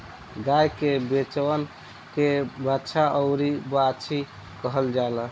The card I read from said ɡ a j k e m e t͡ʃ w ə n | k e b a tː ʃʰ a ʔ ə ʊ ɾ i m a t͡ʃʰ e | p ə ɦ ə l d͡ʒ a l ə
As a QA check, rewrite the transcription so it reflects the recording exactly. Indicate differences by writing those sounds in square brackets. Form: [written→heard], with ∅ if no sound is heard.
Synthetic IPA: ɡ a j k e [m→b] e t͡ʃ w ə n | k e b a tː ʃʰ a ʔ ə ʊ ɾ i [m→b] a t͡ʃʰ [e→i] | [p→k] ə ɦ ə l d͡ʒ a l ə